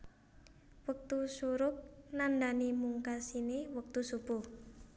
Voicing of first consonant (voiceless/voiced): voiced